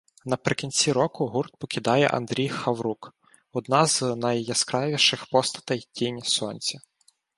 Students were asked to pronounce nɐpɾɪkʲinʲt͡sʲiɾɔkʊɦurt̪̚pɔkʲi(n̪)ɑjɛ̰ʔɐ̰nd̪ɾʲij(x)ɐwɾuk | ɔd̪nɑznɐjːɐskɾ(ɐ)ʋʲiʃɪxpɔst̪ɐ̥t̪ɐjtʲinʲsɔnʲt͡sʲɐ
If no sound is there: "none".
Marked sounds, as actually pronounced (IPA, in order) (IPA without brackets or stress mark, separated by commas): d̪, x, ɑ